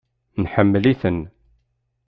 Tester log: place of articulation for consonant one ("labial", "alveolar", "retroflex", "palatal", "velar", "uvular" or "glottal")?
alveolar